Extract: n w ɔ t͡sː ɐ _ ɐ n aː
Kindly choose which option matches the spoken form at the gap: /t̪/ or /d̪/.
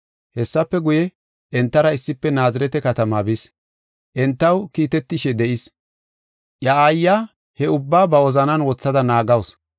d̪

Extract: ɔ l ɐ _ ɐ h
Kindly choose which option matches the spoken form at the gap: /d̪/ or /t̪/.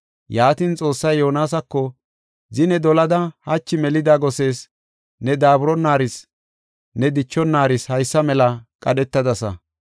d̪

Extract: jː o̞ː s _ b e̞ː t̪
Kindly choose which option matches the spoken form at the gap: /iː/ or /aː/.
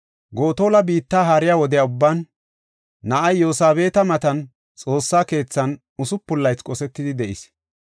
aː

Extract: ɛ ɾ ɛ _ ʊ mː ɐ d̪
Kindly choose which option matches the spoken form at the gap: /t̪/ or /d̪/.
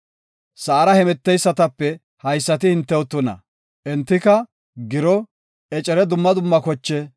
d̪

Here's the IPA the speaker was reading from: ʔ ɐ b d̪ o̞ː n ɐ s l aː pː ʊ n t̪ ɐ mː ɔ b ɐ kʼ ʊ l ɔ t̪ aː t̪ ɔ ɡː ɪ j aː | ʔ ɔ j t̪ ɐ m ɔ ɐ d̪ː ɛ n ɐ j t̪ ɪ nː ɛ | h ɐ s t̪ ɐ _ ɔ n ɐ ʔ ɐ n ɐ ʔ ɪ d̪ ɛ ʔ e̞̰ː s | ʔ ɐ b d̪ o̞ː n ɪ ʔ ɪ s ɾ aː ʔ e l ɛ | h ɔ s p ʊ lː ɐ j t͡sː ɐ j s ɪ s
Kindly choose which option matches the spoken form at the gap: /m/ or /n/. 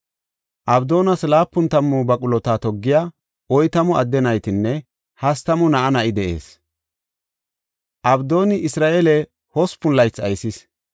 m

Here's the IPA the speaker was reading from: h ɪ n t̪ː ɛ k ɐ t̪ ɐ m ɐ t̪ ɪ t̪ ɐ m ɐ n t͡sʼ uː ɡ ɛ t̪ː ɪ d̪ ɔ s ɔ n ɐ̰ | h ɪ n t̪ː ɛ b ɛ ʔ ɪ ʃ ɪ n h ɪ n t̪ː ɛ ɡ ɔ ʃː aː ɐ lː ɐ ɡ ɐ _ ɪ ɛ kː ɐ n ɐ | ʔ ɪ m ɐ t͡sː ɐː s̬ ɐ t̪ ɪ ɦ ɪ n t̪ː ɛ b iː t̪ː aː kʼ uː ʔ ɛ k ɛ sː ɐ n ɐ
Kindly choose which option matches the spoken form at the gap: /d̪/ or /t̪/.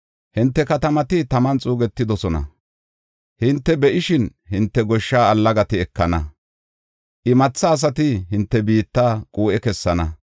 t̪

